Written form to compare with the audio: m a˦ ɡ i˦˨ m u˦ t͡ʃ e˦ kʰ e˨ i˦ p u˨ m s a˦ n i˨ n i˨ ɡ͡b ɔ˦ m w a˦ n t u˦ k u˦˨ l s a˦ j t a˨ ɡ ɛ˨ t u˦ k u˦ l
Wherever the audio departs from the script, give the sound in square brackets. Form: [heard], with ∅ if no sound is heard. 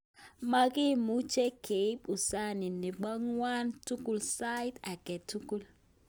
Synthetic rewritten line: m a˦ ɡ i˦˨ m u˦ t͡ʃ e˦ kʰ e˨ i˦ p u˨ [∅] s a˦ n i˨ n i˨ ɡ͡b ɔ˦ [ŋ] w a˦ n t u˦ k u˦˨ l s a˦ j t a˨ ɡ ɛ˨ t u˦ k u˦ l